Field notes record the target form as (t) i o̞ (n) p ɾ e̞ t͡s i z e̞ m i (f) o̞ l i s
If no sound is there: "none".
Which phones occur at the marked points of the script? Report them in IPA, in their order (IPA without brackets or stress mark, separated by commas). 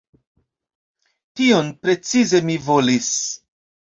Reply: t, n, v